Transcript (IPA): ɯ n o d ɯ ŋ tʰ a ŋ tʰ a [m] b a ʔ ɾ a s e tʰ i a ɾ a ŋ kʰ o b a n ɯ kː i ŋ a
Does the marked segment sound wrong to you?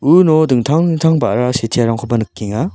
yes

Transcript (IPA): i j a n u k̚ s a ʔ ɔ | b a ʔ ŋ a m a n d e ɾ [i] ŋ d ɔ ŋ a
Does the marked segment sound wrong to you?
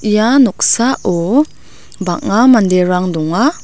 yes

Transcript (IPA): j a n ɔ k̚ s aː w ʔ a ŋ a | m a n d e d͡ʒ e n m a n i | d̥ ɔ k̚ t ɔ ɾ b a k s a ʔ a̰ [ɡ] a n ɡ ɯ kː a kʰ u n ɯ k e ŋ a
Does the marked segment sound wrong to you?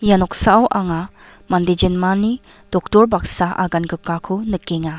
no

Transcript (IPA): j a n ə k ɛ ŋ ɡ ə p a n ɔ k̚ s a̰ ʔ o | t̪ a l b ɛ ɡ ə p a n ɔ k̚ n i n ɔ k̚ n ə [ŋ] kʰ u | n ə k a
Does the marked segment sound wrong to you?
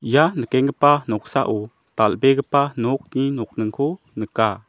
no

